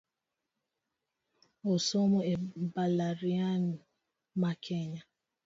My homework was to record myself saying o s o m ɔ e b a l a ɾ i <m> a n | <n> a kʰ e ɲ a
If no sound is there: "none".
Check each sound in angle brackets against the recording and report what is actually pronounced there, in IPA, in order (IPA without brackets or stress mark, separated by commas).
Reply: none, m